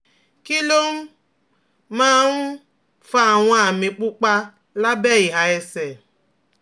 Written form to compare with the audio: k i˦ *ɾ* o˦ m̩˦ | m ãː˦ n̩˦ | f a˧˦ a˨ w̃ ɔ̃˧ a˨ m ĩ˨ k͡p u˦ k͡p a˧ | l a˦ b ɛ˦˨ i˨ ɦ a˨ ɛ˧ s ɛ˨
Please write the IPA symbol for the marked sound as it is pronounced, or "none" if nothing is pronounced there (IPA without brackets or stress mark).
l